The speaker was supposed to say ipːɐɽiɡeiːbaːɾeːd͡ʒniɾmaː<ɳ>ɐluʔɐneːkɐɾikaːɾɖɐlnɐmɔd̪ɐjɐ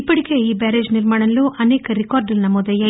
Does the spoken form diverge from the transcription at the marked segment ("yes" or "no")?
no